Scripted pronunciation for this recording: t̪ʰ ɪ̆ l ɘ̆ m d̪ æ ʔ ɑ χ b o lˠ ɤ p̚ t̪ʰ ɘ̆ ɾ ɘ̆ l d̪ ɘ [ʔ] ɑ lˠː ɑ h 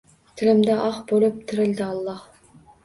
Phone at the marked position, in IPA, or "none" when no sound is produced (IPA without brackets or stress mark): none